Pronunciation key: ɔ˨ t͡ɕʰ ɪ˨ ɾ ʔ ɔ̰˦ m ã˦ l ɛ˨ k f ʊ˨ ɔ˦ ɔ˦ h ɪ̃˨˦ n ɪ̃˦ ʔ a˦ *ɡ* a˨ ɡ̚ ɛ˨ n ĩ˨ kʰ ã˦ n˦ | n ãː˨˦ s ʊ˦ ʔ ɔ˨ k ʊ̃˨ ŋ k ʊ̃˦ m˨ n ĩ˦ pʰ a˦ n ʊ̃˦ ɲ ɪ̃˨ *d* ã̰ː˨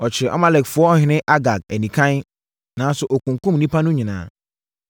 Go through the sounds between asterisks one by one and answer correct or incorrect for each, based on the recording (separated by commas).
correct, incorrect